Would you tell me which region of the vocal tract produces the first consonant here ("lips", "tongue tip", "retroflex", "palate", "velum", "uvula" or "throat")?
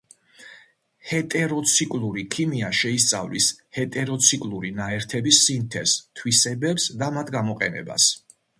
throat